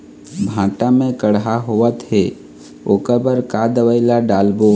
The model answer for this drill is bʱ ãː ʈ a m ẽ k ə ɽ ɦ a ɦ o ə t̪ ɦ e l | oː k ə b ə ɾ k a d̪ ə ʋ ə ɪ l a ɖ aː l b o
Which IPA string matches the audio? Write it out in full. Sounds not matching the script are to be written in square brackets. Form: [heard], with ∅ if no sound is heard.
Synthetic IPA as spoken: bʱ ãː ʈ a m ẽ k ə ɽ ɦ a ɦ o ə t̪ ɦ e [∅] | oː k ə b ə ɾ k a d̪ ə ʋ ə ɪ l a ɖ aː l b o